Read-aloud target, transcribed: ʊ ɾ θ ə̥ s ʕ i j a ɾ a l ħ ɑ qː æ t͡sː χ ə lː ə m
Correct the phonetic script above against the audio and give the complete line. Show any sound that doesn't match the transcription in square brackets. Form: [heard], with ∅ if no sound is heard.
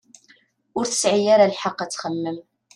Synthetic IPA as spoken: ʊ ɾ θ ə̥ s ʕ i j a ɾ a l ħ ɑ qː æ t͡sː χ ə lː ə m